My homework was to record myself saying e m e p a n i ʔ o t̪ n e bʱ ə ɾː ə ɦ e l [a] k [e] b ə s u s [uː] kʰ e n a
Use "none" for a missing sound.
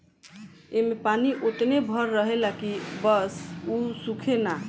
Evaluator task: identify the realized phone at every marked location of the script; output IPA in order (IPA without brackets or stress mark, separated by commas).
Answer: a, i, u